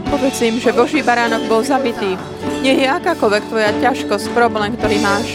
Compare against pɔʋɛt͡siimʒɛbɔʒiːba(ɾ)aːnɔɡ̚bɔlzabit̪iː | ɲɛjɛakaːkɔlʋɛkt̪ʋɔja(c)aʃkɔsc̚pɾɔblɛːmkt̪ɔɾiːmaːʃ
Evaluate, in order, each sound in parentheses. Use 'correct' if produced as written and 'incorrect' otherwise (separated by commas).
correct, correct